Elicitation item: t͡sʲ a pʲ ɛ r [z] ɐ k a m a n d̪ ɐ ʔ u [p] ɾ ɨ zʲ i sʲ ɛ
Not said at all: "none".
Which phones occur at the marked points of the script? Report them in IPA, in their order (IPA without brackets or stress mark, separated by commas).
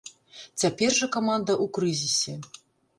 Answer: ʐ, k